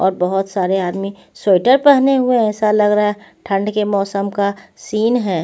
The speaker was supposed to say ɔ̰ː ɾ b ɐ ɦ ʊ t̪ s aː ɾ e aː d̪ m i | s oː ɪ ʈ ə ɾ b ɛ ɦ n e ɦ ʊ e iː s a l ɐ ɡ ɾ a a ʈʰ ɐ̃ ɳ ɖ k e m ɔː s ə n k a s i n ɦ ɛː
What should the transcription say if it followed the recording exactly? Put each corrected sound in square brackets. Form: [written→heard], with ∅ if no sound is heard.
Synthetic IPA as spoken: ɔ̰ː ɾ b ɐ ɦ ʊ t̪ s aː ɾ e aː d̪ m i | s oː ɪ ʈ ə ɾ [b→p] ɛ ɦ n e ɦ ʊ e [iː→ɛː] s a l ɐ ɡ ɾ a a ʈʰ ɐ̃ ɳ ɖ k e m ɔː s ə [n→m] k a s [i→iː] n ɦ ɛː